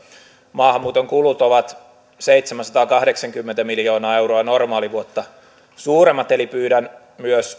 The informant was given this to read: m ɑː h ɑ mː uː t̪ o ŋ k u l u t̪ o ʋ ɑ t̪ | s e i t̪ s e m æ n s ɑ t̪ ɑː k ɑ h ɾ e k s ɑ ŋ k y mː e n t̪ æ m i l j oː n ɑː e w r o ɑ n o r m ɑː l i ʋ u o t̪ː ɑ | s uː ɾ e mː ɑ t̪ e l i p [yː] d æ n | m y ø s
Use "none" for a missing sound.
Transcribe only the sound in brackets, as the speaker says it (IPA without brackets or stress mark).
yː